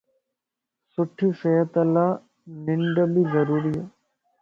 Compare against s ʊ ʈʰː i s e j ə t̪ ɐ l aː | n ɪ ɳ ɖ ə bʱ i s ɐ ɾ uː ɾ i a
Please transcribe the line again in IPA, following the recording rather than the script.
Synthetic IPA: s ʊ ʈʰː i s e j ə t̪ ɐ l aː | n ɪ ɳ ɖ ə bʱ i z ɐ ɾ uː ɾ i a

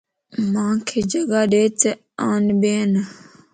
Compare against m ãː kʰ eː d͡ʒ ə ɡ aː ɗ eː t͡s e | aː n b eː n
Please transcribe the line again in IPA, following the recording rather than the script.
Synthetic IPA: m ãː kʰ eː d͡ʒ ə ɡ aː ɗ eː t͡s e | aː n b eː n

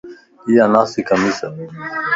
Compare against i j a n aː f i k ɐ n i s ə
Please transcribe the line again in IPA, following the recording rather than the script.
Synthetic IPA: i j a n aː s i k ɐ m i s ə

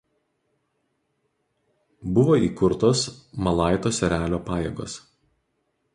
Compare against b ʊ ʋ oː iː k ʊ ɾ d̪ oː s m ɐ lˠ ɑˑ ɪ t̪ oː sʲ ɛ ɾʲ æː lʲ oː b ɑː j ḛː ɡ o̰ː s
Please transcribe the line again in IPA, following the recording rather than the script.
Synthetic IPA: b ʊ ʋ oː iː k ʊ ɾ t̪ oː s m ɐ lˠ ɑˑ ɪ t̪ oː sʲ ɛ ɾʲ æː lʲ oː p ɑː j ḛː ɡ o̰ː s

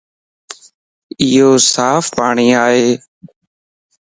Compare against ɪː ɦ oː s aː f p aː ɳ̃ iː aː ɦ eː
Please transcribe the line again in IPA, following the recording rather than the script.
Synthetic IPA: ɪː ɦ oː s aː f p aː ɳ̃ iː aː ɦ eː

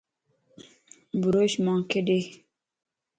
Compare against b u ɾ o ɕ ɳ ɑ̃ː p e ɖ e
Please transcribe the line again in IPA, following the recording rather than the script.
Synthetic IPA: b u ɾ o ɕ m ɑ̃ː k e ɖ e

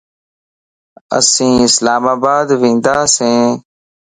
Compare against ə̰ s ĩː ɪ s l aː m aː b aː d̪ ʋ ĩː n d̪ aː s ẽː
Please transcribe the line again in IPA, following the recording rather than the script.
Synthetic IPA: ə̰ s ĩː ɪ s l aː m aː b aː d̪ ʋ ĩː n d̪ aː s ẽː

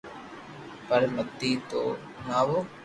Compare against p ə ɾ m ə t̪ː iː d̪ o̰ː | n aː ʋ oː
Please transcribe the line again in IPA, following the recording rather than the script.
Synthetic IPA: p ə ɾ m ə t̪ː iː t̪ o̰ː | n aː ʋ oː

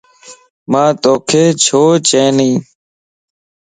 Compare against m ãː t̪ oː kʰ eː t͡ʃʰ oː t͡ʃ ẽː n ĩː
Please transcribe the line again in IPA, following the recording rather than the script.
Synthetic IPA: m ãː t̪ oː kʰ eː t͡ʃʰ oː t͡ʃ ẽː n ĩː

